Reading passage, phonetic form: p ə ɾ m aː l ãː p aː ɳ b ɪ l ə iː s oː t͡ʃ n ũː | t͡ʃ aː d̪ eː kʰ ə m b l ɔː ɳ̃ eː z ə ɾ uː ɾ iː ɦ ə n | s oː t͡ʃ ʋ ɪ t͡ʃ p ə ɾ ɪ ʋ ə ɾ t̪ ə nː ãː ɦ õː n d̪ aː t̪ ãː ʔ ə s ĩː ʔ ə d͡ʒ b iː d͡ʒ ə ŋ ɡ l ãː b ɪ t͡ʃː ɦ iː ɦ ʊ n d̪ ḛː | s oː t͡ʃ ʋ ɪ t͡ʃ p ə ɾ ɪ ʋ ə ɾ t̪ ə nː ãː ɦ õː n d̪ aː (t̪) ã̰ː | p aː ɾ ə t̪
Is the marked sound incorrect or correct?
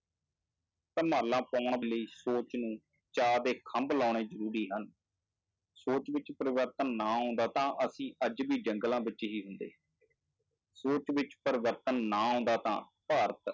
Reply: correct